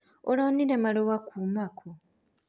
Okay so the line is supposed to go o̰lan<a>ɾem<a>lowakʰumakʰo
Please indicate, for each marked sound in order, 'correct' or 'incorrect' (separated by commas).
incorrect, correct